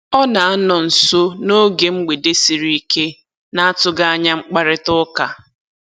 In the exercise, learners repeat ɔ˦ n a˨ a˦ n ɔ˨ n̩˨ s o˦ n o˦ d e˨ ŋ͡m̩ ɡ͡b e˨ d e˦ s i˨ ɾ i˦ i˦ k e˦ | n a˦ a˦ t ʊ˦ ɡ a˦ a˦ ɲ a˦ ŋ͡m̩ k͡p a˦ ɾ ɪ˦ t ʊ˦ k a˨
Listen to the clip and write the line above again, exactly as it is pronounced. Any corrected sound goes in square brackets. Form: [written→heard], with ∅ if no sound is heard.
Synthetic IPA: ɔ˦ n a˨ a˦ n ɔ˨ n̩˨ s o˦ n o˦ [d→ɡ] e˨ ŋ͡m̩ ɡ͡b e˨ d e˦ s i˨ ɾ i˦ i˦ k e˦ | n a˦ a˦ t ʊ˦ ɡ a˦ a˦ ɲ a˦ ŋ͡m̩ k͡p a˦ ɾ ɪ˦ t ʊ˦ k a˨